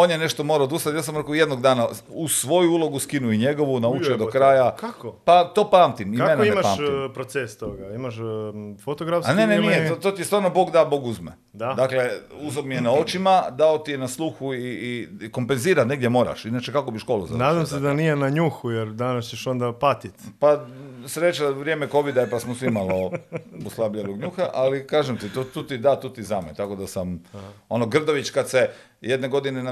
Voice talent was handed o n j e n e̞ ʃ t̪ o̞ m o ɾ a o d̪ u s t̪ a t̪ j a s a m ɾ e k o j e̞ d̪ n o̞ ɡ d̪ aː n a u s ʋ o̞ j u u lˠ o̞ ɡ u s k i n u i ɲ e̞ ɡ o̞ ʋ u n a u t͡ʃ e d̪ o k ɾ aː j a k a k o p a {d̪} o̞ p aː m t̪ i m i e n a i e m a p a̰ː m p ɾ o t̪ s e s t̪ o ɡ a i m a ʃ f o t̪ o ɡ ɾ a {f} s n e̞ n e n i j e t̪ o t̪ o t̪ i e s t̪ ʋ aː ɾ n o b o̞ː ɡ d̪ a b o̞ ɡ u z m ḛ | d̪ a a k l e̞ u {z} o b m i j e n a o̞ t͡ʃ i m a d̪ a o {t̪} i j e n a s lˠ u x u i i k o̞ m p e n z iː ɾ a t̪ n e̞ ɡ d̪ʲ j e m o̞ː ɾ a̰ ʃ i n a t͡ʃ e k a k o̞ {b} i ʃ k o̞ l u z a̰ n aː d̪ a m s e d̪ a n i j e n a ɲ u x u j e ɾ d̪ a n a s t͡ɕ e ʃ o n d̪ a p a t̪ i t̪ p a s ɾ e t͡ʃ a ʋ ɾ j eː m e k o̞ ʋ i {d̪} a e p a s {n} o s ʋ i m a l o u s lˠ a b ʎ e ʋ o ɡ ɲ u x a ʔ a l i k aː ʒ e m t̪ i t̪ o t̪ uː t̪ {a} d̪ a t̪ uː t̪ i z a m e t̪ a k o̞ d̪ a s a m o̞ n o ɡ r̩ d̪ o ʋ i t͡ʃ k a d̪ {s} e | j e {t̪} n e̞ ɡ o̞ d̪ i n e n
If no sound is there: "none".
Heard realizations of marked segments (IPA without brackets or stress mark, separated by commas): t̪, f, z, t̪, b, d̪, m, i, s, d̪